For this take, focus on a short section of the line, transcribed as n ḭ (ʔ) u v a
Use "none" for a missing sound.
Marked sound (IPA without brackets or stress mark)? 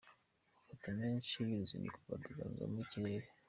k